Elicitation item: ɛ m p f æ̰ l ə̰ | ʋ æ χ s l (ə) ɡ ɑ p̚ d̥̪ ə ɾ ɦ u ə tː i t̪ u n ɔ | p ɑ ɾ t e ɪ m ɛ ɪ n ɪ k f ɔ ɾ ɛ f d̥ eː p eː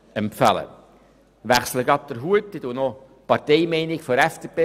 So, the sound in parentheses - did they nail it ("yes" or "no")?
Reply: yes